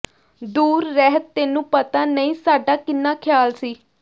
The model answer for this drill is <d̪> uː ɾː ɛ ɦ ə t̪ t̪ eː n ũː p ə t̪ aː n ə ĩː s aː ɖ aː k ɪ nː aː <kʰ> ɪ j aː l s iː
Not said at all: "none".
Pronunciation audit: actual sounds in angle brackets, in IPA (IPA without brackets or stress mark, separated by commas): d̪, kʰ